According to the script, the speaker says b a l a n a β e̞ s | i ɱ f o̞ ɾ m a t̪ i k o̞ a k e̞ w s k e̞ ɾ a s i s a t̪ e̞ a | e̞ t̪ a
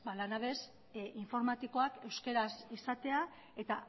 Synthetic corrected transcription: b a l a n a β e̞ s | i ɱ f o̞ ɾ m a t̪ i k o̞ a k e̞ w s k e̞ ɾ a s i s a t̪ e̞ a | e̞ t̪ a